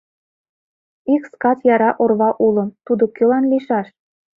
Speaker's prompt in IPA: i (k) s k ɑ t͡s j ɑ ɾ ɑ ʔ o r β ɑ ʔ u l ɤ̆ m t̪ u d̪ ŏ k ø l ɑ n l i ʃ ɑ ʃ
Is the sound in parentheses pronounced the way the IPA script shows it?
yes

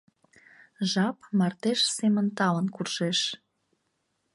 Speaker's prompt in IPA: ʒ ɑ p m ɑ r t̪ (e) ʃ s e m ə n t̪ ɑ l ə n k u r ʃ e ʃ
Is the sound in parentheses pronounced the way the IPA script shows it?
yes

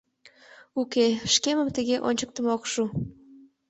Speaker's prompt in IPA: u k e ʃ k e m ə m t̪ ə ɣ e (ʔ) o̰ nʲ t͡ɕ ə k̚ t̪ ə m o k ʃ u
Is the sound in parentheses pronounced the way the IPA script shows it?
yes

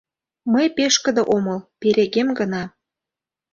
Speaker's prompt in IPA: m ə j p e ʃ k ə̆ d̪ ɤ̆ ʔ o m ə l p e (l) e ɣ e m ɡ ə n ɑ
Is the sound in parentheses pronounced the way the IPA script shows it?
no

